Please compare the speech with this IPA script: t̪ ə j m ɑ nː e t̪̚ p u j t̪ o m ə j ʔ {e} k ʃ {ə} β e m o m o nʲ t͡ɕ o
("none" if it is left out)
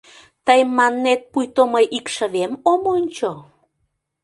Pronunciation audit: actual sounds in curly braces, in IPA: i, ə

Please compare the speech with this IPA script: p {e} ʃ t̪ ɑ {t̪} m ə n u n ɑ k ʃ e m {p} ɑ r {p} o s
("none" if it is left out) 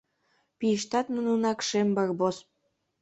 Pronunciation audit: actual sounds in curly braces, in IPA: i, t̪, b, b

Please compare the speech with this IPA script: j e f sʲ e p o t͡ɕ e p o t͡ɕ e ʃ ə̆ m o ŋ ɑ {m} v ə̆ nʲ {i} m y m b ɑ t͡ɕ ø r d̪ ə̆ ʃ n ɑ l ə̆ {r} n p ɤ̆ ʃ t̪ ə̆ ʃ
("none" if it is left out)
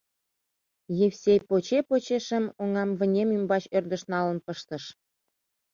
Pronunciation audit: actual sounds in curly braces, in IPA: m, e, none

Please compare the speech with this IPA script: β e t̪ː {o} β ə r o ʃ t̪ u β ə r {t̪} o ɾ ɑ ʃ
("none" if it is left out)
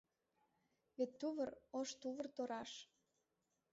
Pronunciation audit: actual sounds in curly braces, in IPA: u, t̪

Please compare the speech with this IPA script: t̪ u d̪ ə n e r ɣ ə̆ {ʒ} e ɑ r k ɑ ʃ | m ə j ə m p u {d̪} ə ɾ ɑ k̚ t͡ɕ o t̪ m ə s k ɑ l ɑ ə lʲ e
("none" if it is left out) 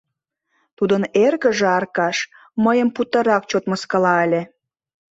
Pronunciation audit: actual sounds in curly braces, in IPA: ʒ, t̪

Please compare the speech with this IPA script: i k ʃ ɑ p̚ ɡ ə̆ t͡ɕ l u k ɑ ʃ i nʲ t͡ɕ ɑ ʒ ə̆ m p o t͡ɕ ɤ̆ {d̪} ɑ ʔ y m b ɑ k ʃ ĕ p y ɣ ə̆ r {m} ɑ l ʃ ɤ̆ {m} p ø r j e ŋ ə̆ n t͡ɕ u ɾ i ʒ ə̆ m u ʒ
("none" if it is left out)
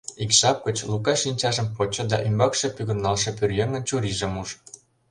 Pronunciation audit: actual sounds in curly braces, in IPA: d̪, n, none

